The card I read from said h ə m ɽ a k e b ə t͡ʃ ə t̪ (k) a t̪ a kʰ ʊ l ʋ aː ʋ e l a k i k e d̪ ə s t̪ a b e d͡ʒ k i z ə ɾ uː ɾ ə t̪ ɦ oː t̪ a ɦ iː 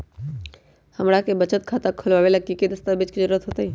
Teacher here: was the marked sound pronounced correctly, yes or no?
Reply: no